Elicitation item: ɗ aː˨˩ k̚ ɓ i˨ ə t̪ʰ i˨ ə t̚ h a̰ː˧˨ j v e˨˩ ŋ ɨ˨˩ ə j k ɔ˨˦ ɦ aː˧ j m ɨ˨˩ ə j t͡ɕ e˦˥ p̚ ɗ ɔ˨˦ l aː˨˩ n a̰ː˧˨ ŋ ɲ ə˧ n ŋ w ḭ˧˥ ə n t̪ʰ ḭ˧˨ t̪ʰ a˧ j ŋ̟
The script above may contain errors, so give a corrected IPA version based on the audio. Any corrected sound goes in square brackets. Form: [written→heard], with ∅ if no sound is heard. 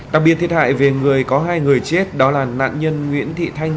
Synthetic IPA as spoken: ɗ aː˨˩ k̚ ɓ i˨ ə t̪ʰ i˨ ə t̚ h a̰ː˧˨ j v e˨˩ ŋ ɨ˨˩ ə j k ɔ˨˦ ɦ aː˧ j [m→ŋ] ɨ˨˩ ə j t͡ɕ e˦˥ [p̚→t̚] ɗ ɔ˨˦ l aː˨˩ n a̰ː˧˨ [ŋ→n] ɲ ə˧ n ŋ w ḭ˧˥ ə n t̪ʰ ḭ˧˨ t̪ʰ a˧ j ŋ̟